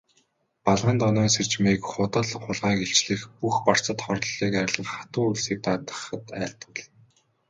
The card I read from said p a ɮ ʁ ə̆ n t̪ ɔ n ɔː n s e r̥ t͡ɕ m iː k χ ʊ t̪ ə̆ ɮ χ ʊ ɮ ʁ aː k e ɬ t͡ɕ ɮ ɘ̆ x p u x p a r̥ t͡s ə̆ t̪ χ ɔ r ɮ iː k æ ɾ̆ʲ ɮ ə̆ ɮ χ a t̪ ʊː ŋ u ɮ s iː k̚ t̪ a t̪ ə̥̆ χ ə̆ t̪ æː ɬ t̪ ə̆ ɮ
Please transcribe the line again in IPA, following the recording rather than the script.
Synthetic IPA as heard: p a ɮ ʁ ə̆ n t̪ ɔ n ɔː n s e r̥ t͡ɕ m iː k χ ʊ t̪ ə̆ ɮ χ ʊ ɮ ʁ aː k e ɬ t͡ɕ ɮ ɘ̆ x p u x p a r̥ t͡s ə̆ t̪ χ ɔ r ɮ iː k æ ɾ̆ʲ ɮ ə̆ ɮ χ a t̪ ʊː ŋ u ɮ s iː k̚ t̪ a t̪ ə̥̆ χ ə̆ t̪ æː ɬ t̪ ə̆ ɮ